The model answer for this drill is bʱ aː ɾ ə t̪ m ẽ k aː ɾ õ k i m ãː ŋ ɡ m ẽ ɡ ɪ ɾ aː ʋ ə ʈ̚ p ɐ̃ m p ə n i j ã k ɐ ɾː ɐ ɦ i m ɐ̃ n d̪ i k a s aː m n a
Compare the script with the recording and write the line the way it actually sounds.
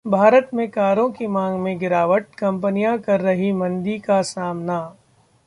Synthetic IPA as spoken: bʱ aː ɾ ə t̪ m ẽ k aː ɾ õ k i m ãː ŋ ɡ m ẽ ɡ ɪ ɾ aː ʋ ə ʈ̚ k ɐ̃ m p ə n i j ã k ɐ ɾː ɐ ɦ i m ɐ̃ n d̪ i k a s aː m n a